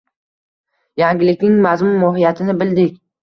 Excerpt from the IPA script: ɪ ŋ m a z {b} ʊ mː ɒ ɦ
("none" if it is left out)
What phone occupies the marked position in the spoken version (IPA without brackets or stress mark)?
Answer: m